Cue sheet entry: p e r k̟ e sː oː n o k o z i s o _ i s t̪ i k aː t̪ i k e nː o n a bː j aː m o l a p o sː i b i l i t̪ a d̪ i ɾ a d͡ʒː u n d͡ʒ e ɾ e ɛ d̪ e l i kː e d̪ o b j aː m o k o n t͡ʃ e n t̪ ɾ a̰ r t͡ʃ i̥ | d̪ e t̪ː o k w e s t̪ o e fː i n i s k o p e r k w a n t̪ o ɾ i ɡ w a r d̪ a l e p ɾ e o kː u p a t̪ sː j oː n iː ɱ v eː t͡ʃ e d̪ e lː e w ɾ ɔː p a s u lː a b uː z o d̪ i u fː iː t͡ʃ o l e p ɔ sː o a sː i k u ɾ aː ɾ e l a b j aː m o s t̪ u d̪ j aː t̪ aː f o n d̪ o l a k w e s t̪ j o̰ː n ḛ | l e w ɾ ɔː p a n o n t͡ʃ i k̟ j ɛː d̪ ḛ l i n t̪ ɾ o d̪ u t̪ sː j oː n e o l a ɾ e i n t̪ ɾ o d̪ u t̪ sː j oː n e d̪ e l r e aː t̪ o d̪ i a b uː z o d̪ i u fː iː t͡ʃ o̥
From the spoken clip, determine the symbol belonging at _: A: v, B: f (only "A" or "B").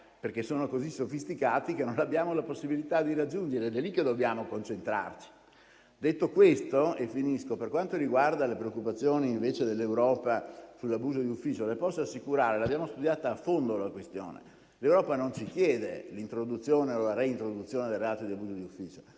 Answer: B